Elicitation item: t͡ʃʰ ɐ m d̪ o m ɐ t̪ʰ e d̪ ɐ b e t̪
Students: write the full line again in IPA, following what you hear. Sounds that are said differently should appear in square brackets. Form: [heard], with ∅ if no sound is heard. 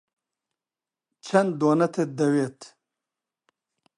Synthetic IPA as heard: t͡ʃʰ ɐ [n] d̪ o [n] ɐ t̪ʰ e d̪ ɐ [w] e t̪

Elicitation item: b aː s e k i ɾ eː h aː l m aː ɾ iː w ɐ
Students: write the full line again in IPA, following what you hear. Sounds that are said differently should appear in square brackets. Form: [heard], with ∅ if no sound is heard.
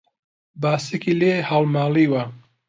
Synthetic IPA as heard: b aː s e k i [l] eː h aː l m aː [l] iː w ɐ

